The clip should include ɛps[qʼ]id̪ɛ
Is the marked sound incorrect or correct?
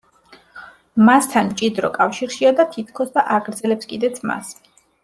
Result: incorrect